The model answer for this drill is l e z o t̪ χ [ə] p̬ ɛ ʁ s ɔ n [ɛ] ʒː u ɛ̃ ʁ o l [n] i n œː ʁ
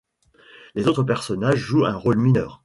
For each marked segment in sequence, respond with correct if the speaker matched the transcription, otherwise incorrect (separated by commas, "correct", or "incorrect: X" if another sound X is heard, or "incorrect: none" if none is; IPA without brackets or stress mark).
correct, incorrect: a, incorrect: m